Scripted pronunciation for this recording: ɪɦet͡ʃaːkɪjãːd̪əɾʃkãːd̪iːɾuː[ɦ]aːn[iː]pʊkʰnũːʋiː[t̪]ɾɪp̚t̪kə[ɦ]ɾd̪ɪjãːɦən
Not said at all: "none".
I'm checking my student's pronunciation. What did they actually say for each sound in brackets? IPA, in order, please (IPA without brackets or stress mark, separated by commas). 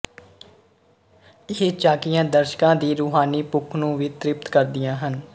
ɦ, iː, t̪, none